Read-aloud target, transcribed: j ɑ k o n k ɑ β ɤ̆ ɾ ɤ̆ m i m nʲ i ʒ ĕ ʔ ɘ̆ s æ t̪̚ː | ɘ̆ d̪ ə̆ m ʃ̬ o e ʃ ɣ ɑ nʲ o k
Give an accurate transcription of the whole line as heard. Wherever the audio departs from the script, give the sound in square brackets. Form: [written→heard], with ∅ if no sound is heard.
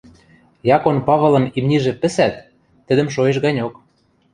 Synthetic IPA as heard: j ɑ k o n [k→p] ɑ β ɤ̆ [ɾ→l] ɤ̆ m i m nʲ i ʒ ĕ [ʔ→p] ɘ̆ s æ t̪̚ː | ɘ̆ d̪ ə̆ m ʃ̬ o e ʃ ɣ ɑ nʲ o k